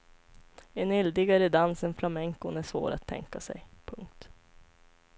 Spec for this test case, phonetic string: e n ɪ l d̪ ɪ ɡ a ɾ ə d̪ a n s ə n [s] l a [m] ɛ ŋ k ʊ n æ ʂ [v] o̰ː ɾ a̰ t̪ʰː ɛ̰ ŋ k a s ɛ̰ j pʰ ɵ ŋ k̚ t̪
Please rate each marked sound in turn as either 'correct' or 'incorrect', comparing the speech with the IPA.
incorrect, correct, correct

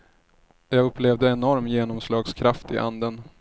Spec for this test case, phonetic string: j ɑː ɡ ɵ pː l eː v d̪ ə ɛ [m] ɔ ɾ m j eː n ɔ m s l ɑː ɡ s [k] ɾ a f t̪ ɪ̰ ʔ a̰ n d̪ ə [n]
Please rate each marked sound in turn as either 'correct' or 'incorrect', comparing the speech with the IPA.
incorrect, incorrect, correct

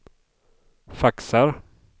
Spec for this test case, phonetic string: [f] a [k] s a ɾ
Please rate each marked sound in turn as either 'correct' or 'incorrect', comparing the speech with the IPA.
correct, correct

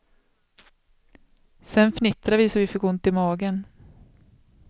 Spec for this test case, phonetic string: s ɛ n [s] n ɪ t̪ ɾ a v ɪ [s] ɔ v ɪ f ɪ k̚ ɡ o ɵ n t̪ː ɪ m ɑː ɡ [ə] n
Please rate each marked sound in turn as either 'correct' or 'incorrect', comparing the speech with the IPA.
incorrect, correct, correct

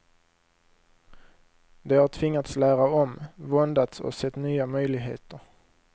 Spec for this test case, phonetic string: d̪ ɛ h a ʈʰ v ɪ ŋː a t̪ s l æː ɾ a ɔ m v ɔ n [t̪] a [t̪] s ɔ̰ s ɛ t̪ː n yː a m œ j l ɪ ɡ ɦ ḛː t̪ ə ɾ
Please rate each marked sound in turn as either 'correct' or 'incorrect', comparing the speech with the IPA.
incorrect, correct

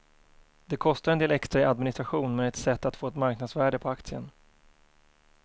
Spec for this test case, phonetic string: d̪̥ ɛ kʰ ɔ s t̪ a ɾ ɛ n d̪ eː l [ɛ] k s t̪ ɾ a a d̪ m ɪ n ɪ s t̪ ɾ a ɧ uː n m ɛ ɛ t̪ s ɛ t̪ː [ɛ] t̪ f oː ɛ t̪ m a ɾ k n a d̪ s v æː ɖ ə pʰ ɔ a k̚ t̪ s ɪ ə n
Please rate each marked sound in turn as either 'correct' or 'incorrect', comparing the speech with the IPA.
correct, incorrect

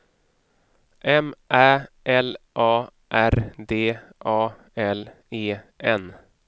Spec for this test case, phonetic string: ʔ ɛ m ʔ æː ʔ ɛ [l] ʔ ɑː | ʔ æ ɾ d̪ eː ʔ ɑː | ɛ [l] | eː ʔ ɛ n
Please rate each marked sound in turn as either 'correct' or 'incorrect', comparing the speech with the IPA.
correct, correct

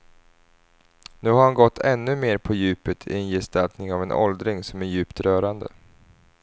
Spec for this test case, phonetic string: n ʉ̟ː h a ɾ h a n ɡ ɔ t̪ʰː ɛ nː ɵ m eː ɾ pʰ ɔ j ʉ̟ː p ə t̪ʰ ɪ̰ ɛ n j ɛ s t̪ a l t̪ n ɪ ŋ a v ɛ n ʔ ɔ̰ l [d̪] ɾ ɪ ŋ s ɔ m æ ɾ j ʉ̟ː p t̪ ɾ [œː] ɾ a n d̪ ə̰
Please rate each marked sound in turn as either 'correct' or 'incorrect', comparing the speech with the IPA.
correct, correct

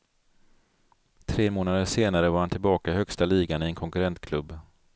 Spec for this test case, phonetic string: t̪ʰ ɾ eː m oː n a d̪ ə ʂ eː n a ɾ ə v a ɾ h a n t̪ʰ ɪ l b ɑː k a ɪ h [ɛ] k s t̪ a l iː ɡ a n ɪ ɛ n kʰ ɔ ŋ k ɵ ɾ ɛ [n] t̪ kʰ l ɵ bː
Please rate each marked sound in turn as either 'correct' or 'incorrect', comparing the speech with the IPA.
incorrect, correct

